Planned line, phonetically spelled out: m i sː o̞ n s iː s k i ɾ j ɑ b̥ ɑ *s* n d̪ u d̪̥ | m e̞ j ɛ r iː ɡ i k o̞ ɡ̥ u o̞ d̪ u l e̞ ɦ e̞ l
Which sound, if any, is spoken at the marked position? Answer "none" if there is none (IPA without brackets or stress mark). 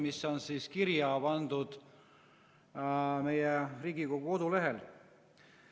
none